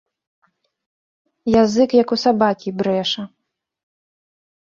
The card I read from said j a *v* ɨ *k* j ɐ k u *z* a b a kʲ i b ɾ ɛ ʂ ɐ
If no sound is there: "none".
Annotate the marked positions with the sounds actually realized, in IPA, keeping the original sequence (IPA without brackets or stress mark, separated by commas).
z, k, s